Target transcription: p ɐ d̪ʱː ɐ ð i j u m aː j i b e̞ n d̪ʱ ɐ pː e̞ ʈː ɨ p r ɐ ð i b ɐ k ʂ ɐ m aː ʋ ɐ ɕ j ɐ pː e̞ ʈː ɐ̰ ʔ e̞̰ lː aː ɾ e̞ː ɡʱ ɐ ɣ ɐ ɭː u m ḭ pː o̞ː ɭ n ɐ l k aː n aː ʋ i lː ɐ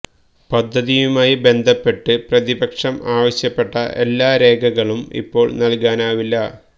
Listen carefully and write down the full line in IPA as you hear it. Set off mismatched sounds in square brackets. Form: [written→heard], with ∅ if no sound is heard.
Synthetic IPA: p ɐ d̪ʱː ɐ ð i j u m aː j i b e̞ n d̪ʱ ɐ pː e̞ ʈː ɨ p r ɐ ð i b ɐ k ʂ ɐ m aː ʋ ɐ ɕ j ɐ pː e̞ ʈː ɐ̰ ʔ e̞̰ lː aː ɾ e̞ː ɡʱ ɐ ɣ ɐ [ɭː→ɭ] u m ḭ pː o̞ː ɭ n ɐ l k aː n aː ʋ i lː ɐ